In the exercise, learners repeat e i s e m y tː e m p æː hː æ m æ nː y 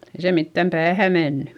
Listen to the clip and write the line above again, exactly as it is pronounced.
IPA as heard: e i s e m i tː æ m p æː h æ m e nː y